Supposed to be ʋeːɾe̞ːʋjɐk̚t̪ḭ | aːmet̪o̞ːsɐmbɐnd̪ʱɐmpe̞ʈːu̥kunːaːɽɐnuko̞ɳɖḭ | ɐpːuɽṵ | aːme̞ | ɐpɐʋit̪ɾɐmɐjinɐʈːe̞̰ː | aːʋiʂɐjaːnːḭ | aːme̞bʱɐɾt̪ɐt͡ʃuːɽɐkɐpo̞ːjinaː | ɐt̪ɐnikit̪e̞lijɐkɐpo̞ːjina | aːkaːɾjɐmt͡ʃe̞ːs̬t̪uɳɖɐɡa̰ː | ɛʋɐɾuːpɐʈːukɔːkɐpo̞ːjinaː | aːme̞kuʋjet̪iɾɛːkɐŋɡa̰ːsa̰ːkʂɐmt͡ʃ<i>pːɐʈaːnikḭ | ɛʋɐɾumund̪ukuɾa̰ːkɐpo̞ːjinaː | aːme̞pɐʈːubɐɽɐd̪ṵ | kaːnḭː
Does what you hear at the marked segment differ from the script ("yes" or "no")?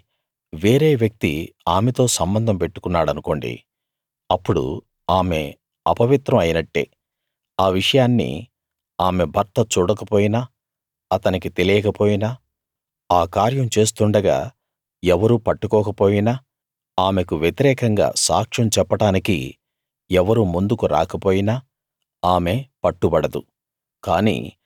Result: yes